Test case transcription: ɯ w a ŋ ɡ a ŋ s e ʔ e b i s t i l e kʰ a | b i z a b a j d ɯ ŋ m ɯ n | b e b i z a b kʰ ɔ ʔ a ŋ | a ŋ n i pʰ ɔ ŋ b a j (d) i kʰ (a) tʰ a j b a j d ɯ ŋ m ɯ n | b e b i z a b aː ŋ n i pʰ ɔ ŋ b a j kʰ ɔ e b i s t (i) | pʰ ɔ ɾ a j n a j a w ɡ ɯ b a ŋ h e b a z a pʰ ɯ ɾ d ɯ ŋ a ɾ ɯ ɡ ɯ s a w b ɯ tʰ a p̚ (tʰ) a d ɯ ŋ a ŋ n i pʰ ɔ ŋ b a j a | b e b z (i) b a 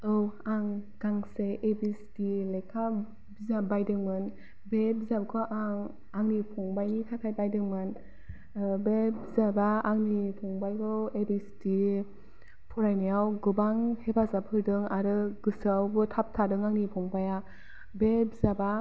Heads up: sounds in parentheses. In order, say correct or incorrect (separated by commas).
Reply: incorrect, correct, correct, correct, incorrect